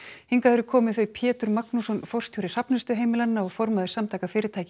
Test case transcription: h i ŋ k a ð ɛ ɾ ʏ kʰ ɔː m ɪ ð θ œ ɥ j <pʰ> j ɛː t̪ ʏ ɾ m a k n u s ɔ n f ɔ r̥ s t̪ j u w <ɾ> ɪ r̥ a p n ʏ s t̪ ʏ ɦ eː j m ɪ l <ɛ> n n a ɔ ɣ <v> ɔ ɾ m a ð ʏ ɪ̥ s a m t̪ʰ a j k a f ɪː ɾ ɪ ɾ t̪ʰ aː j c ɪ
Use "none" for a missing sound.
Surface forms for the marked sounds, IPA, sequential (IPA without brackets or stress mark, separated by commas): pʰ, ɾ, a, f